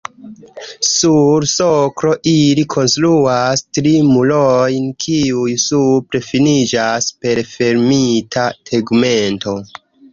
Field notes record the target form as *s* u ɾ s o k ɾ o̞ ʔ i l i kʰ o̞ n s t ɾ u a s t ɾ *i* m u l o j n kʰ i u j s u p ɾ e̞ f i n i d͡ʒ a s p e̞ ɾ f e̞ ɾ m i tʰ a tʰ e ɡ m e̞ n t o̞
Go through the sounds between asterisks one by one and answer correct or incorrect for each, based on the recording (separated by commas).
correct, correct